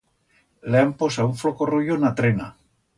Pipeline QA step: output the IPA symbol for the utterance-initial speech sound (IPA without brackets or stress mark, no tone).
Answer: l